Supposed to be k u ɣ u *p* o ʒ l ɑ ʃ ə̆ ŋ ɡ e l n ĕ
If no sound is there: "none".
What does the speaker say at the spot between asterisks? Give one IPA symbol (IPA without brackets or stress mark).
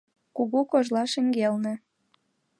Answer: k